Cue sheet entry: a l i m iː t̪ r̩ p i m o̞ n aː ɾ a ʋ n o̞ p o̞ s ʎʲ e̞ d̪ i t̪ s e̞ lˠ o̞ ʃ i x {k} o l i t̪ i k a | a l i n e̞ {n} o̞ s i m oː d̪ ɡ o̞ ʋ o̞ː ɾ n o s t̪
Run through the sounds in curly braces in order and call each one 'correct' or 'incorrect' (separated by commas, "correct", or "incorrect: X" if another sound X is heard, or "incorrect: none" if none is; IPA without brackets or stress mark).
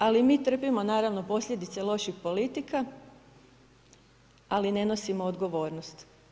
incorrect: p, correct